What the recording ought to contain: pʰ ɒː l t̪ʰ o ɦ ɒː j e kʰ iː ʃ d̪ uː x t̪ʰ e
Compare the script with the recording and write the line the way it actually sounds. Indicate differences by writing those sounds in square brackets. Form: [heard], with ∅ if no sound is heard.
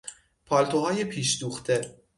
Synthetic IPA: pʰ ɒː l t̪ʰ o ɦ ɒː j e [pʰ] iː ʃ d̪ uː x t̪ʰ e